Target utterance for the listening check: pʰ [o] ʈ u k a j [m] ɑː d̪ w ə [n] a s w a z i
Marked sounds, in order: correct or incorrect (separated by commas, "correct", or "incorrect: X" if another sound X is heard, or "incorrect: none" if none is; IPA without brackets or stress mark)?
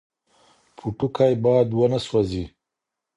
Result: incorrect: u, incorrect: b, correct